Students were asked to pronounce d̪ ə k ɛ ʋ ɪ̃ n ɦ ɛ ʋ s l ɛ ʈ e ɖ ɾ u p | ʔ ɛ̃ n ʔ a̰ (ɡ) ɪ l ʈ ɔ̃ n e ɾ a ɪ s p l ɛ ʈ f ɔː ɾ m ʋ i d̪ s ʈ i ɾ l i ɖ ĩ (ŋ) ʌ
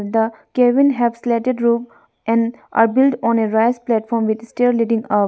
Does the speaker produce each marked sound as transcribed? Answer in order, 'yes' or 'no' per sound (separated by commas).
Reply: no, yes